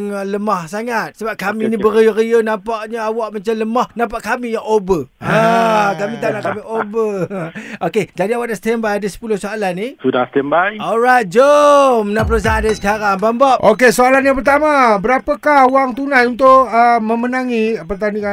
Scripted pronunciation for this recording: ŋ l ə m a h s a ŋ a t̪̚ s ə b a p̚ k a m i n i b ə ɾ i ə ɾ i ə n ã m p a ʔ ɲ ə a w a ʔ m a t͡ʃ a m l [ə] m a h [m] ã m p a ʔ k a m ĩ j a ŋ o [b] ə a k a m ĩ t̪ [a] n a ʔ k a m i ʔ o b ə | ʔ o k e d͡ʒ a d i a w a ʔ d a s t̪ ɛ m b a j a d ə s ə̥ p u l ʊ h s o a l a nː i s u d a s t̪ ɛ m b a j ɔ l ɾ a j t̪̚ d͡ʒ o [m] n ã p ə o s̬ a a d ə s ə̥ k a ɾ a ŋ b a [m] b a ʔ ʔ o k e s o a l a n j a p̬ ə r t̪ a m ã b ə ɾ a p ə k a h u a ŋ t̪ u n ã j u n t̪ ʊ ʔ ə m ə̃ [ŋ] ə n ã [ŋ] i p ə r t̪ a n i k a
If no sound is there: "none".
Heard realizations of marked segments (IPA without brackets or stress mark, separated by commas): ə, n, b, a, m, m, m, ŋ